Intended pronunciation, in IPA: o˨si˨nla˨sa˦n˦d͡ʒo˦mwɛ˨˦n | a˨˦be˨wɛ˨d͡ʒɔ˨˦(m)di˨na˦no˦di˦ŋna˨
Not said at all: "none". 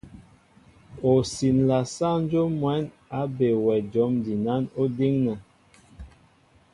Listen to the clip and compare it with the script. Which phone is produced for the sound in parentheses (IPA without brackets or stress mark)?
m